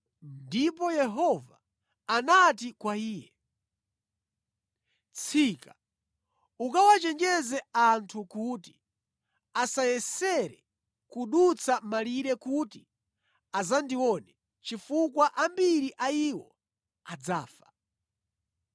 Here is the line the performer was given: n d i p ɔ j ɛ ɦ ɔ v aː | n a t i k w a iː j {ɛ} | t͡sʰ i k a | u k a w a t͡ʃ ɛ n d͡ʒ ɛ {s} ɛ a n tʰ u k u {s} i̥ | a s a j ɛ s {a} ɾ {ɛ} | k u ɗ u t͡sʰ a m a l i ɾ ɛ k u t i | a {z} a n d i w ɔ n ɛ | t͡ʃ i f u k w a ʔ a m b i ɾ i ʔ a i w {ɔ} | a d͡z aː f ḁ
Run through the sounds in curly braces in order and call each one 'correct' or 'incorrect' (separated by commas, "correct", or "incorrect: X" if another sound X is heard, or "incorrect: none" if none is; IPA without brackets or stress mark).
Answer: correct, incorrect: z, incorrect: t, incorrect: ɛ, correct, correct, correct